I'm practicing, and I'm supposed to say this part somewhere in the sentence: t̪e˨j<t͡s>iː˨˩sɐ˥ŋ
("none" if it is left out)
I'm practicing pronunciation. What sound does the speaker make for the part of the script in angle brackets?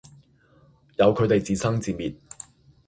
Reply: t͡s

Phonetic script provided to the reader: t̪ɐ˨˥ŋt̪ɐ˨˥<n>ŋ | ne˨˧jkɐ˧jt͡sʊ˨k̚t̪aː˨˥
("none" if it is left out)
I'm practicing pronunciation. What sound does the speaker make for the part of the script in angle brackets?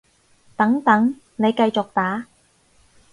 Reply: none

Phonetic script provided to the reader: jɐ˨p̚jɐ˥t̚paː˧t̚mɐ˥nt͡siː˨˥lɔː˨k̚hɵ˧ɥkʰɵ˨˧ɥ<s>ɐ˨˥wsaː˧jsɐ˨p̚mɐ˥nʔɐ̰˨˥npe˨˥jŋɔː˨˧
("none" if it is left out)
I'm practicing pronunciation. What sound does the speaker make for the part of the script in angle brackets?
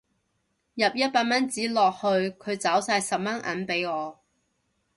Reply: t͡s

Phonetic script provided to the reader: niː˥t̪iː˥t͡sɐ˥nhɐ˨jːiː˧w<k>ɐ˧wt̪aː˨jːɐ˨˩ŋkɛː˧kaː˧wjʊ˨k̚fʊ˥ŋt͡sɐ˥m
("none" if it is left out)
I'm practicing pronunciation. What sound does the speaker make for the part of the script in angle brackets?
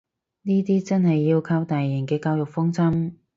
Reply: kʰ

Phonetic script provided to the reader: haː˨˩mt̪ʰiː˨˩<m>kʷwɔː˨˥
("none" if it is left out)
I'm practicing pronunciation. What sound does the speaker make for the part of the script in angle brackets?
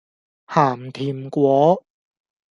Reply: m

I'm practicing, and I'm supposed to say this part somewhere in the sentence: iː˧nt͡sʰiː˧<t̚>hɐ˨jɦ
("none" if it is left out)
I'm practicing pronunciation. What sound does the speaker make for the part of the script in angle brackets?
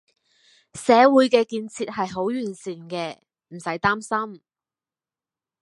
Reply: t̚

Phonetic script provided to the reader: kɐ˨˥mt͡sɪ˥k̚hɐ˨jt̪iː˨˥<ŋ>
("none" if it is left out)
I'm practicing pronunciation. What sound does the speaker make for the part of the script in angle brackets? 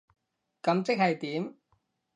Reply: m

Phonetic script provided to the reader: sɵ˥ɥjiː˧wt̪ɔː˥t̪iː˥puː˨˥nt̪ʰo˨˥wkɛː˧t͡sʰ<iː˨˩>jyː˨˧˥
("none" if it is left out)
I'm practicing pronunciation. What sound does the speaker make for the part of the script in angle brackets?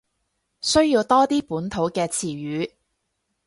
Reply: iː˨˩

